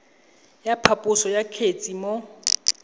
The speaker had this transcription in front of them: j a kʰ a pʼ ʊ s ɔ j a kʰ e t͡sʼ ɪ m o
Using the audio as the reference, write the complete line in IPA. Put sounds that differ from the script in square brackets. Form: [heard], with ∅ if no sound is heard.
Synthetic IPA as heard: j a [pʰ] a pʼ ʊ s ɔ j a kʰ e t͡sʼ [i] m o